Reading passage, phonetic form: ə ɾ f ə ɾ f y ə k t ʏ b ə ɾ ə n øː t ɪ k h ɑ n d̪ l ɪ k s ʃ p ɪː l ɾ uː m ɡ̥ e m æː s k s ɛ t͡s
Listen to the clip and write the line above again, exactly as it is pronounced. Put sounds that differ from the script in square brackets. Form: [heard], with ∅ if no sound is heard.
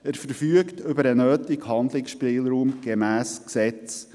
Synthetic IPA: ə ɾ f ə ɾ f y ə k t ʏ b ə ɾ ə n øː t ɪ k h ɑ n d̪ l ɪ k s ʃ p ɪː l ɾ uː m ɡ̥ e m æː s k s ɛ t͡s